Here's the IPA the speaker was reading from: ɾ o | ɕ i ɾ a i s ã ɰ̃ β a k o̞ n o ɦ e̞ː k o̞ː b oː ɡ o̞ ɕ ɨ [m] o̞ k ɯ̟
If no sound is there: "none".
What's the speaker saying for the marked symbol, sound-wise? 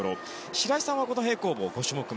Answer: m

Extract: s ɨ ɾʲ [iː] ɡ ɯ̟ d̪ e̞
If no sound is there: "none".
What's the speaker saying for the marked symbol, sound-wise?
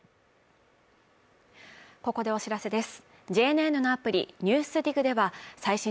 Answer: i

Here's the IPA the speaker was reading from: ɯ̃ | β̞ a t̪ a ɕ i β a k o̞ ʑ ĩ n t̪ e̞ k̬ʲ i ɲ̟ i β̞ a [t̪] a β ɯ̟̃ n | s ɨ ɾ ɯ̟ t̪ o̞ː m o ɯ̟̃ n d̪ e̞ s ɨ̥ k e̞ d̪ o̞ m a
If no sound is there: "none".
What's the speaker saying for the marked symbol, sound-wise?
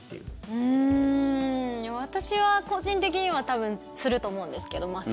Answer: t̪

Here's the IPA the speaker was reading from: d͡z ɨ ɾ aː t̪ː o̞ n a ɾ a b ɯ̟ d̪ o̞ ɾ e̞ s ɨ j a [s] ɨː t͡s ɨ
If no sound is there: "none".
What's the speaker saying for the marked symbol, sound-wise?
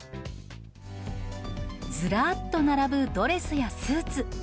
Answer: s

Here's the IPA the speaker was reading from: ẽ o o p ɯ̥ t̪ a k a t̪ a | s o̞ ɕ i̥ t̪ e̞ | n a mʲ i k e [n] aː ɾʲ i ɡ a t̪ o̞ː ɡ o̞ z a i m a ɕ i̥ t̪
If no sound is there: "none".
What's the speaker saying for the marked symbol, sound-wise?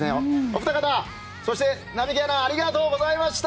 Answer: n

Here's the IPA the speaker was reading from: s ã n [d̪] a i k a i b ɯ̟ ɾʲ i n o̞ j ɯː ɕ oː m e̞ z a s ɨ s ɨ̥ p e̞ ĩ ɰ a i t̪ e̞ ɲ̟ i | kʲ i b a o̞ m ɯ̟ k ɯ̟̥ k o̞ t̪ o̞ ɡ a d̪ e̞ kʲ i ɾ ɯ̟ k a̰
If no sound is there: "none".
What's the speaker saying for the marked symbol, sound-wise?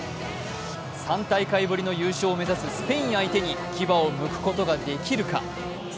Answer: t̪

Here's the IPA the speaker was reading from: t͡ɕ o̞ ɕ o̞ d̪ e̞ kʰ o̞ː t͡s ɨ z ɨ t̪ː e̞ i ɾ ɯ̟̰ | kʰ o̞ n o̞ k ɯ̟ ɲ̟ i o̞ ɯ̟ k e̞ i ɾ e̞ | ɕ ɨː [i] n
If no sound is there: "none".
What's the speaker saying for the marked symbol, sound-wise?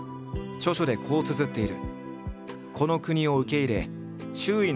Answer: i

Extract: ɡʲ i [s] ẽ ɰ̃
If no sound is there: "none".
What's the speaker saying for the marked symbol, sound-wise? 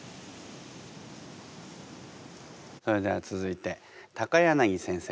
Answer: s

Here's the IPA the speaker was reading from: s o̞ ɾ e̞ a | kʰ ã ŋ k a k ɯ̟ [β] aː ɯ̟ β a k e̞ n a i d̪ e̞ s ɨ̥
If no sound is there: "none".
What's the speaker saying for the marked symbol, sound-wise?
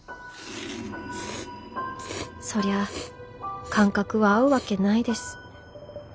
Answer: β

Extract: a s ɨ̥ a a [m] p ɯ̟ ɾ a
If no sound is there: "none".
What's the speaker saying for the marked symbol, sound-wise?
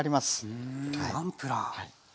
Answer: m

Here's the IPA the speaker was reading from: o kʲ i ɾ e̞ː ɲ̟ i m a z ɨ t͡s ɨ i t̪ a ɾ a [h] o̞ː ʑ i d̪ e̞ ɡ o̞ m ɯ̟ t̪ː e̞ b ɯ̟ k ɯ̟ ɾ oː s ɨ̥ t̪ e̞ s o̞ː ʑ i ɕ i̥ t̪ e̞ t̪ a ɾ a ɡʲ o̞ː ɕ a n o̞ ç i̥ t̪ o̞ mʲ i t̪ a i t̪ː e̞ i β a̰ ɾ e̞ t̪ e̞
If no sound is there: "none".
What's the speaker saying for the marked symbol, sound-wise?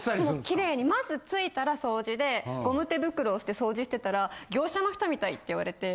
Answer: s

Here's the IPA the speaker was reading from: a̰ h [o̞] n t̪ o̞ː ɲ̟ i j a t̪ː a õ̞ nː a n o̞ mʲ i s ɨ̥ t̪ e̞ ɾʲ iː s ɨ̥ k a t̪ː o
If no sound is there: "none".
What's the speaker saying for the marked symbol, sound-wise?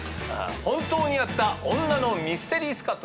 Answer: õ̞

